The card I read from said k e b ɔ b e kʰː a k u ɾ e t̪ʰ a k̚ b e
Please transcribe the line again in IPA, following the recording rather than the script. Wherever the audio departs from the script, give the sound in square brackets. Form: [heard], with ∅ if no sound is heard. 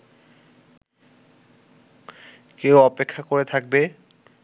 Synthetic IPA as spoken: k e [w] ɔ [p] e kʰː a k [o] ɾ e t̪ʰ a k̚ b e

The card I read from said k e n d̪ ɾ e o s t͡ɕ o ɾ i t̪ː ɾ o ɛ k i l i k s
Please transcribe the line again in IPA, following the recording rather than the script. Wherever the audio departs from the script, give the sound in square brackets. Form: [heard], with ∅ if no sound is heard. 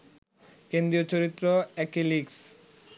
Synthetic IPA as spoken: k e n d̪ ɾ [i] o [∅] t͡ɕ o ɾ i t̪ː ɾ o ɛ k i l i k s

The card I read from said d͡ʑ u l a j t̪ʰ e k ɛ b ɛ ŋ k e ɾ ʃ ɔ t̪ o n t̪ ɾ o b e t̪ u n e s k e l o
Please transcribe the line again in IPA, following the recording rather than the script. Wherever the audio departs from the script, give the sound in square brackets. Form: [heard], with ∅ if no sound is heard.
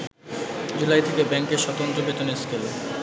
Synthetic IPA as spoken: d͡ʑ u l a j t̪ʰ e k [e] b ɛ ŋ k e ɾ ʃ ɔ t̪ o n t̪ ɾ o b e t̪ [o] n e s k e l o

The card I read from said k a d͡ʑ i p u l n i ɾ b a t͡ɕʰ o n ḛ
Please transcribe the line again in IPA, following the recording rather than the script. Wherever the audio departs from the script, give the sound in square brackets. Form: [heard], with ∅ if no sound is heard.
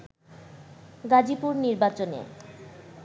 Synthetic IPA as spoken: [ɡ] a d͡ʑ i p u [ɾ] n i ɾ b a [t͡ɕ] o n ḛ

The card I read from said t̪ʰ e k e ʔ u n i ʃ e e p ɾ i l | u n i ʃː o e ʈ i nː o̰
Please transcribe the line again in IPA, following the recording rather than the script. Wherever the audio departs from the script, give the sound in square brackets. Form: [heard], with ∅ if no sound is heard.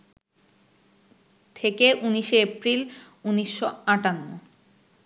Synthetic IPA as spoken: t̪ʰ e k e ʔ u n i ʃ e e p ɾ i l | u n i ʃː o [a] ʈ [a] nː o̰

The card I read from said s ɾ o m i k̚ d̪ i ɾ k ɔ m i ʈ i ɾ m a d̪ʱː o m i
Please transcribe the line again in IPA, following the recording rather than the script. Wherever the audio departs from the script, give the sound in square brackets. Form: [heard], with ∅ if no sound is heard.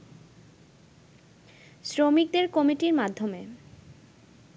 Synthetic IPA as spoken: s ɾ o m i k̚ d̪ [e] ɾ k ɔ m i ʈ i ɾ m a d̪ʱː o m [e]

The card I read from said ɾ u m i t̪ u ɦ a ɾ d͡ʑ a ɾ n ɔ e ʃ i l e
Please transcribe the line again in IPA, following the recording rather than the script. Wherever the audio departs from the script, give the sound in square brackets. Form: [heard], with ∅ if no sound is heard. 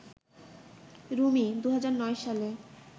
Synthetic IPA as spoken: ɾ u m i [d̪] u ɦ a [∅] d͡ʑ a ɾ n ɔ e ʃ [a] l e

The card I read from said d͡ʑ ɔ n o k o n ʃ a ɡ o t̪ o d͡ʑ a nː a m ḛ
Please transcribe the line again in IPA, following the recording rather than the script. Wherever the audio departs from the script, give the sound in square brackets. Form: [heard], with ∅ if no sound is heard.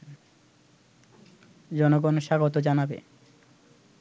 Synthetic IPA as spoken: d͡ʑ ɔ n o [ɡ] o n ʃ a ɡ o t̪ o d͡ʑ a [n] a [b] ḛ

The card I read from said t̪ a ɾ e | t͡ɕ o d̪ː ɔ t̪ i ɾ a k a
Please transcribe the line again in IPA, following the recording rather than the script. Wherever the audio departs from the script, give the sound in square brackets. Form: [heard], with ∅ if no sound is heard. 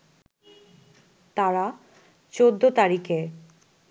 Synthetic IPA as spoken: t̪ a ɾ [a] | t͡ɕ o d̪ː [o] t̪ [a] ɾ [i] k [e]

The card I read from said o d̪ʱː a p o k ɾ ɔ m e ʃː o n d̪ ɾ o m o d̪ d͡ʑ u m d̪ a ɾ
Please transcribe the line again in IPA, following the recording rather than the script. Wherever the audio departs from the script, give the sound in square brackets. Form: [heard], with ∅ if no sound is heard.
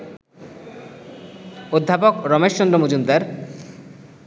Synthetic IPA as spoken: o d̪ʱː a p o k ɾ ɔ m e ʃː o n d̪ ɾ o m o [∅] d͡ʑ u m d̪ a ɾ

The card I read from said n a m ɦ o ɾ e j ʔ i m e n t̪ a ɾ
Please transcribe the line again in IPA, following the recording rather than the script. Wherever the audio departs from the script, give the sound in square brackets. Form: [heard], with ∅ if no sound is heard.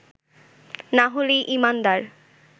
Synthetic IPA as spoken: n a [∅] ɦ o [l] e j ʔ i m [a] n [d̪] a ɾ

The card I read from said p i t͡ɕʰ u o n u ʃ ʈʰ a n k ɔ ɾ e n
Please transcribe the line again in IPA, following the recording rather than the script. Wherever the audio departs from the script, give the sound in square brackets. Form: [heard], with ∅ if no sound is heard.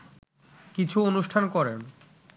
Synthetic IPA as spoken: [k] i t͡ɕʰ u o n u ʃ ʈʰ a n k ɔ ɾ e n

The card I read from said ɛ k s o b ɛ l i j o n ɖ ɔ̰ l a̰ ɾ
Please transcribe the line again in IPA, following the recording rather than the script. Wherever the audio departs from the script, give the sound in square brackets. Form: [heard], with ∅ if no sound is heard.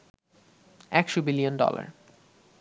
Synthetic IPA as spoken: ɛ k [ʃ] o b [i] l i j o n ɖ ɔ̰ l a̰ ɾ

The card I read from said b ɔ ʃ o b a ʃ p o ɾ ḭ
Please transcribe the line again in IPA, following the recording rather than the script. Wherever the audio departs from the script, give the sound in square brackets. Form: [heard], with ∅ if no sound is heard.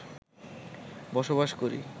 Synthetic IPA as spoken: b ɔ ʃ o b a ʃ [k] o ɾ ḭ

